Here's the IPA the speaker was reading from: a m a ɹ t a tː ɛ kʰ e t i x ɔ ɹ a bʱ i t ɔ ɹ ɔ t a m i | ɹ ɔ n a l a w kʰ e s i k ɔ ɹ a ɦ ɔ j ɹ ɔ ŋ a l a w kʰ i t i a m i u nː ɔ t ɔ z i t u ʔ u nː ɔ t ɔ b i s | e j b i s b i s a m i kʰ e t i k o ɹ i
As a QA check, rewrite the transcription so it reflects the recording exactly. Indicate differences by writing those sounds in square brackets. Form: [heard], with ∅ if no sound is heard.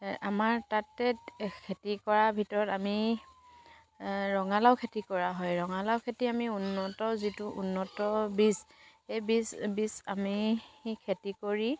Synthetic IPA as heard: a m a ɹ t a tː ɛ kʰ e t i [k] ɔ ɹ a bʱ i t ɔ ɹ ɔ t a m i | ɹ ɔ [ŋ] a l a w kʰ e [t] i k ɔ ɹ a ɦ ɔ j ɹ ɔ ŋ a l a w kʰ [e] t i a m i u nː ɔ t ɔ z i t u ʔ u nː ɔ t ɔ b i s | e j b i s b i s a m i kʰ e t i k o ɹ i